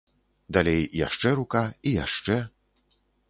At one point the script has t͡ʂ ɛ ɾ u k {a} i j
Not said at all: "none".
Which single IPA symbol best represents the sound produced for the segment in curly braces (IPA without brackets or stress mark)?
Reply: a